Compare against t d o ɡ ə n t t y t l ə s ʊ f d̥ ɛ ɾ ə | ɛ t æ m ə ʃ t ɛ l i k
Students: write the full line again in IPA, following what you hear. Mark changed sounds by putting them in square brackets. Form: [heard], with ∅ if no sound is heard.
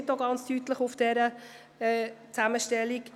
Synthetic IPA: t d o ɡ [ɑ] n [t͡s] t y t l ə [χ] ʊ f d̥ ɛ ɾ ə | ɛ [t͡s] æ m ə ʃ t ɛ l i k